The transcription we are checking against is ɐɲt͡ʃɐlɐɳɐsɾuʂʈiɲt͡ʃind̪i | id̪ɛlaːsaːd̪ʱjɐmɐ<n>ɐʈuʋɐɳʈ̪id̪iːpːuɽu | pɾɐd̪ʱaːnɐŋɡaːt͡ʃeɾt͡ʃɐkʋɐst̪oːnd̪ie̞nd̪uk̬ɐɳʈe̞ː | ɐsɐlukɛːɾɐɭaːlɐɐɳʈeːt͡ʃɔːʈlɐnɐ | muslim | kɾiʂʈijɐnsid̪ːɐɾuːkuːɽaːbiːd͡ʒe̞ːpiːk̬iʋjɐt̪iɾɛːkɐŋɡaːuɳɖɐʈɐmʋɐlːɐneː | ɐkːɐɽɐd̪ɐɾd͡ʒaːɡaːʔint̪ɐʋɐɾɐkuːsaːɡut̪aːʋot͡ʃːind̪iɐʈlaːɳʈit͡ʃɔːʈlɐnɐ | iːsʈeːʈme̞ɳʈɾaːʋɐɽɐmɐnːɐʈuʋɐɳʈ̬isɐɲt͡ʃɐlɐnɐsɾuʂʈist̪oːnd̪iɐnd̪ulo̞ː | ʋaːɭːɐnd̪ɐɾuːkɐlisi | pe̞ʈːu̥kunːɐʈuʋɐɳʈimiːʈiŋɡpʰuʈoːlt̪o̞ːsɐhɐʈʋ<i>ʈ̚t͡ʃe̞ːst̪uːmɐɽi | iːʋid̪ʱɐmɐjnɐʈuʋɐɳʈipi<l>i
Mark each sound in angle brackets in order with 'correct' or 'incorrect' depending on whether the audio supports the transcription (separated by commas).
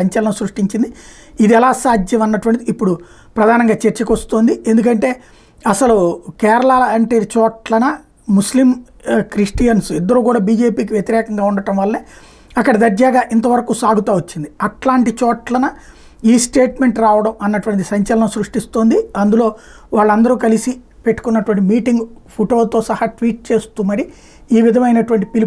incorrect, incorrect, correct